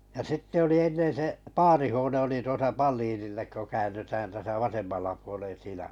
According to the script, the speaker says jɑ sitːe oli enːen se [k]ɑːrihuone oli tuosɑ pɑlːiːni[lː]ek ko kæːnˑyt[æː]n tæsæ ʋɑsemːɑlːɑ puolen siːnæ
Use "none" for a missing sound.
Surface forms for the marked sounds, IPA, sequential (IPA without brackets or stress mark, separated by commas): p, lː, æː